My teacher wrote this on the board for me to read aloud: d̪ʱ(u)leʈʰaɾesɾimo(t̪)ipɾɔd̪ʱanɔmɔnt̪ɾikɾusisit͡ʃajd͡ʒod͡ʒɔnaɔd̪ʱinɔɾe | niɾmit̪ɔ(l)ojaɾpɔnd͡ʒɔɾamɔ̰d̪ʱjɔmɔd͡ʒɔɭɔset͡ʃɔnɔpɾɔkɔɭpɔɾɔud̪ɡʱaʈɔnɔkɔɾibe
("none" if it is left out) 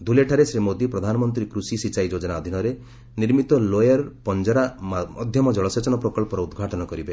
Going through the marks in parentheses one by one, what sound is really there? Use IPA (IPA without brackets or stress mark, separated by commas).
u, d̪, l